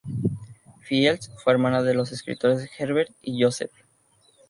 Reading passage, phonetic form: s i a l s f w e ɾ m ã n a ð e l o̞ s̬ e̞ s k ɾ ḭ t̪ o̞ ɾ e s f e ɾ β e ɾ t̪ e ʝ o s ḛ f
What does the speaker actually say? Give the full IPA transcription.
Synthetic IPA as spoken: f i e l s f w e ɾ m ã n a ð e l o̞ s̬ e̞ s k ɾ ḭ t̪ o̞ ɾ e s x e ɾ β e ɾ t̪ i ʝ o s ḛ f